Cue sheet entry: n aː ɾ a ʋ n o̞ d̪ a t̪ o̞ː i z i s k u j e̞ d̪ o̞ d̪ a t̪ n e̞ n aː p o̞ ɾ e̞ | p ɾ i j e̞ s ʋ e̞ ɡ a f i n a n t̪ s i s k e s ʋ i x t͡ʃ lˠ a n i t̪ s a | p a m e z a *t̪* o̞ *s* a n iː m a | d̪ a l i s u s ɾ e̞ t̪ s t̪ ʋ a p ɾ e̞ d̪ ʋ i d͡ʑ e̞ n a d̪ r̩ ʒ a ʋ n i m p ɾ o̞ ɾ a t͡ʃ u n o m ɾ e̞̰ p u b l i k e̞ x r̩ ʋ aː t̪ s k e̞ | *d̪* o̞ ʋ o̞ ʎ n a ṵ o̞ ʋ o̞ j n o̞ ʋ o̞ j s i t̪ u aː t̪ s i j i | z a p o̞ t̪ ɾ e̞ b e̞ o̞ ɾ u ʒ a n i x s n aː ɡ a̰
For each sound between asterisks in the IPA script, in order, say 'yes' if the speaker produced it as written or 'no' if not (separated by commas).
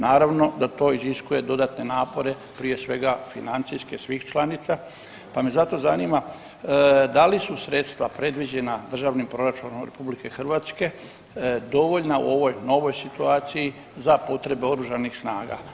yes, no, yes